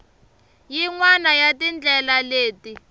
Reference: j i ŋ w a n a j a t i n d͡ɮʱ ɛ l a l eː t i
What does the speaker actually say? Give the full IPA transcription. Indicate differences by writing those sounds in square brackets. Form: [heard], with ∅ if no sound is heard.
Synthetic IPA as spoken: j i ŋ w a n a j a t i n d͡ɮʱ ɛ l a l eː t i